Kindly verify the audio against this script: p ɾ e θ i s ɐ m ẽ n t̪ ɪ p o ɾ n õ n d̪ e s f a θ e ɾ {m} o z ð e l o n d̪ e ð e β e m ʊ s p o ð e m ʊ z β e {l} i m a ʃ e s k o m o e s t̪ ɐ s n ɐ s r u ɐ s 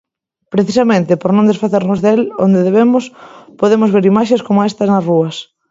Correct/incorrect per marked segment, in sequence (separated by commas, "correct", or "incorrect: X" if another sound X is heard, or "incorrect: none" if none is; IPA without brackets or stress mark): incorrect: n, incorrect: ɾ